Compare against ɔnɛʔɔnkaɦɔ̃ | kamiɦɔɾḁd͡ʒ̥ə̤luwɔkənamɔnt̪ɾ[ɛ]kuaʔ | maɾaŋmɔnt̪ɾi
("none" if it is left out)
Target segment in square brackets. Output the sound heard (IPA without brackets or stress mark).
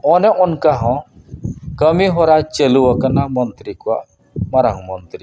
i